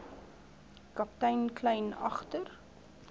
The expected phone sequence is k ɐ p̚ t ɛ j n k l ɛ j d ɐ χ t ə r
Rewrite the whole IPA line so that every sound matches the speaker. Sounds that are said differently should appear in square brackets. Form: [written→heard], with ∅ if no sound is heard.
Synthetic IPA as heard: k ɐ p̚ t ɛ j n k l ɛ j [d→n] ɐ χ t ə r

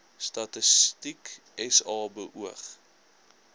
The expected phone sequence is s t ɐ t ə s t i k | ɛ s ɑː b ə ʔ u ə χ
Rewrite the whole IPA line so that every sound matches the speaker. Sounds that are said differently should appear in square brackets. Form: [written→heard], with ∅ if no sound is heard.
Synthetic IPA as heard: s t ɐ t ə s t i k | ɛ s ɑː b ə ʔ u ə χ

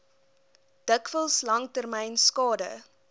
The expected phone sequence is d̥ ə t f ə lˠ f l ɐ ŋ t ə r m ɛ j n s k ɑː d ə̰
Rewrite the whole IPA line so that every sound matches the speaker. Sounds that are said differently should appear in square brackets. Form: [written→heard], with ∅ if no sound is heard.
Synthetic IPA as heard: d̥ ə [t→k] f ə lˠ [f→s] l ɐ ŋ t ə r m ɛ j n s k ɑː d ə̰

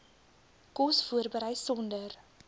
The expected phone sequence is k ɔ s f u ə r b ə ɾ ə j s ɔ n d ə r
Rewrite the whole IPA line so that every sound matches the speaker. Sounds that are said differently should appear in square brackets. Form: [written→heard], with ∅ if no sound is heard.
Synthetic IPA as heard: k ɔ s f u ə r b ə ɾ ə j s ɔ n d ə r

